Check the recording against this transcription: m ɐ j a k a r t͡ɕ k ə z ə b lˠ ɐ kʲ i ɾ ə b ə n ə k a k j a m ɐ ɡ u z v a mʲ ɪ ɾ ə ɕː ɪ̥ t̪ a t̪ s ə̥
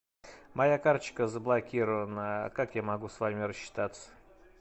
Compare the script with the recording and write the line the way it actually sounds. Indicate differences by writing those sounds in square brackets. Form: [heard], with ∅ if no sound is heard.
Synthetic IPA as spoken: m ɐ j a k a r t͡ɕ k ə z ə b lˠ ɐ kʲ i ɾ ə [v] ə n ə k a k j a m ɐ ɡ u [s] v a mʲ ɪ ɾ ə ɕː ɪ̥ t̪ a t̪ s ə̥